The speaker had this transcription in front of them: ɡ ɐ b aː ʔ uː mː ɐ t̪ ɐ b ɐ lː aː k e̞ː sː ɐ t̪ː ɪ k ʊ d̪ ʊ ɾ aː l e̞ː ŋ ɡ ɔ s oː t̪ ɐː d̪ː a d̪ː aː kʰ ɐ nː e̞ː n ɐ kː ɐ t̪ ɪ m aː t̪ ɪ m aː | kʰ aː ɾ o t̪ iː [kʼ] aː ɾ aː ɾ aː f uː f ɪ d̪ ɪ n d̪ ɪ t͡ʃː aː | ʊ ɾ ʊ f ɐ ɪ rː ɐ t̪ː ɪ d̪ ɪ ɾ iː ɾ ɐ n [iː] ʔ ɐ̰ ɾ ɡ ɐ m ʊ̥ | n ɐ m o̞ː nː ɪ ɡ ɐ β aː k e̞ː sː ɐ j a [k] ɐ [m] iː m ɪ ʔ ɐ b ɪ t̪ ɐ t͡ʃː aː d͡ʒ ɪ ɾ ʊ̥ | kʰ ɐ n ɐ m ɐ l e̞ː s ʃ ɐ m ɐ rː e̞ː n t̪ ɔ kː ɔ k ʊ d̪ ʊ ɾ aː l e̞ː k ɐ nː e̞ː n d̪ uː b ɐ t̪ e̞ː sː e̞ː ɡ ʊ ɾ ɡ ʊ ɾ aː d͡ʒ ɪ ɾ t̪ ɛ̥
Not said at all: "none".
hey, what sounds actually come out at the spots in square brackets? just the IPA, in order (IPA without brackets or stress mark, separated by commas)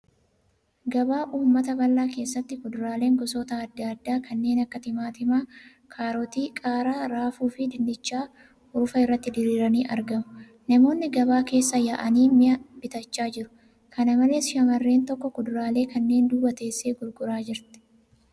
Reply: kʼ, iː, ʔ, n